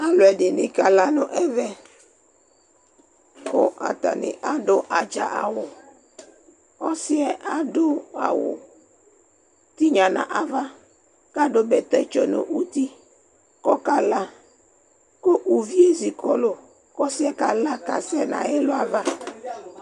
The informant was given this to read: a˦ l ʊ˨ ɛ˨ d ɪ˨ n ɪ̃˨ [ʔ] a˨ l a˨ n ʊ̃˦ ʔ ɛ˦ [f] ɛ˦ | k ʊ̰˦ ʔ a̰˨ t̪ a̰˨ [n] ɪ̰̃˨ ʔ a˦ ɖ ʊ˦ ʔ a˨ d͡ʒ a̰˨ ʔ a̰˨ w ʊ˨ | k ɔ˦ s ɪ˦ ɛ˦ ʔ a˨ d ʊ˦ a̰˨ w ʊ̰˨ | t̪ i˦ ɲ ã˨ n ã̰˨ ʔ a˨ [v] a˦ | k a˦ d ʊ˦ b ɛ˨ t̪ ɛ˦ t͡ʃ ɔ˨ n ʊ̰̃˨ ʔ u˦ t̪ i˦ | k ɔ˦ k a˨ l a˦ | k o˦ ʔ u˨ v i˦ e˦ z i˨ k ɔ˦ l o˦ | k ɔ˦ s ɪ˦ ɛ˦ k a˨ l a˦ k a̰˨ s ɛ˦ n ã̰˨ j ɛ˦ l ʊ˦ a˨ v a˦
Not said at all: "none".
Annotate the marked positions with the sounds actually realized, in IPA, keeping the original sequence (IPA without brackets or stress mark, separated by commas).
k, v, n, v